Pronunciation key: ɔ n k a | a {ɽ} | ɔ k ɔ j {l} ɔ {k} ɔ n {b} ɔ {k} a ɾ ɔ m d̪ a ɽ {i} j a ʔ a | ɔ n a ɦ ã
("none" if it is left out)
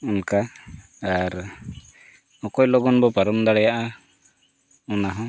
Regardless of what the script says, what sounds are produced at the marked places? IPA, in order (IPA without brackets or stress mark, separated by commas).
ɾ, l, ɡ, b, p, ɛ